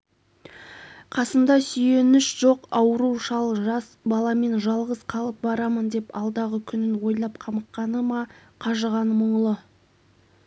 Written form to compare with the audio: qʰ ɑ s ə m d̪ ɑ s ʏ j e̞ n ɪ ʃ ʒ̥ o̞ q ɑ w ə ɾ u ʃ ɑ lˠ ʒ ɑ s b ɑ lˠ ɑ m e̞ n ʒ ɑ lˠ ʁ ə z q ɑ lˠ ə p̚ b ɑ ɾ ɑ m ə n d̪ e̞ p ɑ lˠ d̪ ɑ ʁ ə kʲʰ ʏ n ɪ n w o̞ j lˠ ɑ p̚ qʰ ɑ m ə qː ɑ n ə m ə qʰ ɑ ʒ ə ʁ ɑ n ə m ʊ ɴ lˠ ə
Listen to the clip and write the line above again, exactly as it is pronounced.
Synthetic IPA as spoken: qʰ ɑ s ə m d̪ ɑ s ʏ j e̞ n ɪ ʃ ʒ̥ o̞ q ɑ w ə ɾ u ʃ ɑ lˠ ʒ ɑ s b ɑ lˠ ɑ m e̞ n ʒ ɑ lˠ ʁ ə z qʰ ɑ lˠ ə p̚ b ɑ ɾ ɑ m ə n d̪ e̞ p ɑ lˠ d̪ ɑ ʁ ə kʲʰ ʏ n ɪ n w o̞ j lˠ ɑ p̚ qʰ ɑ m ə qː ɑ n ə m ɑ qʰ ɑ ʒ ə ʁ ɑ n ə m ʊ ɴ lˠ ə